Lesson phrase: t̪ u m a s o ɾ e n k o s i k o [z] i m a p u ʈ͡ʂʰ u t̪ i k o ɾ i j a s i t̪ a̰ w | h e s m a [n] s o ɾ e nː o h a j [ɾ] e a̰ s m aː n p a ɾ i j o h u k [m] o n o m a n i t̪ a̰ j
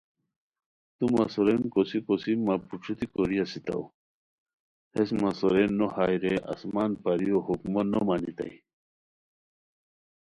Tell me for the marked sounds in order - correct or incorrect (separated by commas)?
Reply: incorrect, incorrect, correct, correct